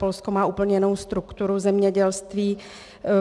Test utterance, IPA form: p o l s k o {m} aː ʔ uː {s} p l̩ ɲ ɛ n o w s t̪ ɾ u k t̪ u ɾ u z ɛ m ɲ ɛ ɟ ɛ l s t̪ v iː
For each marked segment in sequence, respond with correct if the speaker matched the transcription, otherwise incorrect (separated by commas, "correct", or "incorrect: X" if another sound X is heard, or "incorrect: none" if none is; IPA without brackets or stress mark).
correct, incorrect: none